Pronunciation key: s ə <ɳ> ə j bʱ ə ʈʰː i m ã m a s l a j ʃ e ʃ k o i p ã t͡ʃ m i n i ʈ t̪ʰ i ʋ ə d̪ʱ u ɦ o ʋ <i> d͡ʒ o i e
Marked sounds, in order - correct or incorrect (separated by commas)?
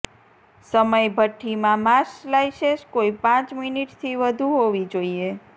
incorrect, correct